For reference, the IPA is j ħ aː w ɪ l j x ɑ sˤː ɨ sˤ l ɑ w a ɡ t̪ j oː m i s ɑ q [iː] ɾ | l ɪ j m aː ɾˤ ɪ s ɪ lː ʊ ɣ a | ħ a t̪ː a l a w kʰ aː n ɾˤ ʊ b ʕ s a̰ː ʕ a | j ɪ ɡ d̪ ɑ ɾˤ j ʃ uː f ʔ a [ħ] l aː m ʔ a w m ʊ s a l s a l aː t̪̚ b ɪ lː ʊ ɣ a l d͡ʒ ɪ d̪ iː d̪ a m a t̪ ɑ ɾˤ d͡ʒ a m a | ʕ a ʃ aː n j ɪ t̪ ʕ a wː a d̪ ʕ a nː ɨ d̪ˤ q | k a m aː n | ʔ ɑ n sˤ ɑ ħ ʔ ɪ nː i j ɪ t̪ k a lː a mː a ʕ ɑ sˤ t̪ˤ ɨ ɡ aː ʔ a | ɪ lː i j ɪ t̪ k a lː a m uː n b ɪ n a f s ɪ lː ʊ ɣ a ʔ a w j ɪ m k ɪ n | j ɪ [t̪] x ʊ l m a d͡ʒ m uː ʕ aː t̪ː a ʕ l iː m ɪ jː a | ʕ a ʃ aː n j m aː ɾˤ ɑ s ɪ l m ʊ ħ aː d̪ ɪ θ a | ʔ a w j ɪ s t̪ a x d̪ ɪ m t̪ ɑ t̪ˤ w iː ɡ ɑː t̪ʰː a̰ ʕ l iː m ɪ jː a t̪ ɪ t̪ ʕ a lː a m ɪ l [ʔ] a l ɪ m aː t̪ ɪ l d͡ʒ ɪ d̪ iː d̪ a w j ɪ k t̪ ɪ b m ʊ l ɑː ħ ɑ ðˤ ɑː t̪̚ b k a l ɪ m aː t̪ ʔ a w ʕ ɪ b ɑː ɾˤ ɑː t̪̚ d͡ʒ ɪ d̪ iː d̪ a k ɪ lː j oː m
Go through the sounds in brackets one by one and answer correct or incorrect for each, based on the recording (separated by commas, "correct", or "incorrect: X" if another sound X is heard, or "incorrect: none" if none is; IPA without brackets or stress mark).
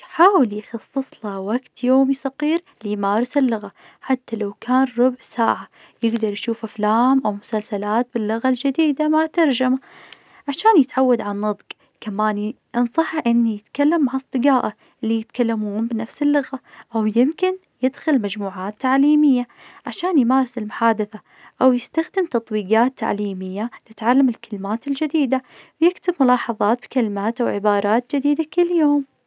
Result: correct, incorrect: f, incorrect: d̪, incorrect: k